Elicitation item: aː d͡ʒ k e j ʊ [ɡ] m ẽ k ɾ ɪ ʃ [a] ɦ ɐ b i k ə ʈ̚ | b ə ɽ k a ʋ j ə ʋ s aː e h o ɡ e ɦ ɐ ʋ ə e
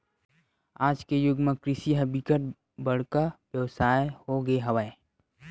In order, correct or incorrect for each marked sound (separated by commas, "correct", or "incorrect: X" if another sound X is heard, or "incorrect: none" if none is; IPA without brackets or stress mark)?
correct, incorrect: i